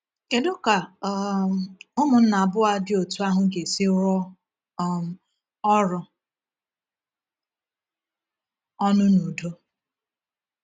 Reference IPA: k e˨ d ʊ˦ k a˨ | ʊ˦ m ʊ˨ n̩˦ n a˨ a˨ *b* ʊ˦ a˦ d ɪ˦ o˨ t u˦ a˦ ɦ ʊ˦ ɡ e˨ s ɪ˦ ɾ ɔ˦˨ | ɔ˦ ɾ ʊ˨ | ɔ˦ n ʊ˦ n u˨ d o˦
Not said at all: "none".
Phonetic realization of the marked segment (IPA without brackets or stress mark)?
b